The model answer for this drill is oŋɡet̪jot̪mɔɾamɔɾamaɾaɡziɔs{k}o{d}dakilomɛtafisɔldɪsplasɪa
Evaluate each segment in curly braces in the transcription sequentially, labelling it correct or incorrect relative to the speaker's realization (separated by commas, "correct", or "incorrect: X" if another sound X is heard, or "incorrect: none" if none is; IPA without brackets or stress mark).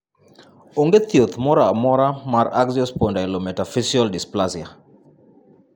incorrect: p, incorrect: n